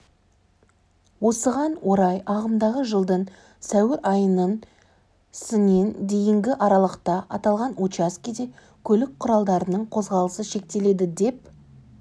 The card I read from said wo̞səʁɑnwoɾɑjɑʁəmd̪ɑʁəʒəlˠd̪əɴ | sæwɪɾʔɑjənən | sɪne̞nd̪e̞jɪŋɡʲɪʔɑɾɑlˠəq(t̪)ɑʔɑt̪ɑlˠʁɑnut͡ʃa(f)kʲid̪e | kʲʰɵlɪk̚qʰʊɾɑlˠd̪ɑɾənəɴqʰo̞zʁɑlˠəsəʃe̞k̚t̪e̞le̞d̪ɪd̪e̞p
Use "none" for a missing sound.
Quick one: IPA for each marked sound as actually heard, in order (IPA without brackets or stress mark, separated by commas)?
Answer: t̪, s